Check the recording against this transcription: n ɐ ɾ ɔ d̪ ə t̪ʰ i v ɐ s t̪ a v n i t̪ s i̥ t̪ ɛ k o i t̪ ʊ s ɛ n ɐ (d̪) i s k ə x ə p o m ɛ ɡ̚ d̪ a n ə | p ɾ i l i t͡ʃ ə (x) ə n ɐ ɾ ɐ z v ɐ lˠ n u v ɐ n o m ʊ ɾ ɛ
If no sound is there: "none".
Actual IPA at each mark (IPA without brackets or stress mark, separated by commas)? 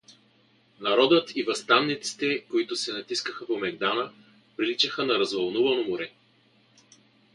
t̪, x